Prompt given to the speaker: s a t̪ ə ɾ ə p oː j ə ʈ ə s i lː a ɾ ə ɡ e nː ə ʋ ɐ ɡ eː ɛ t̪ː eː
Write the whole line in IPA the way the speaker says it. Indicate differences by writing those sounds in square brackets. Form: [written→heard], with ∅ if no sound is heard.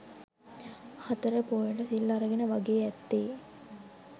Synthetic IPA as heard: [s→h] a t̪ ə ɾ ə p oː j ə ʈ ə s i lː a ɾ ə ɡ e [nː→n] ə ʋ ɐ ɡ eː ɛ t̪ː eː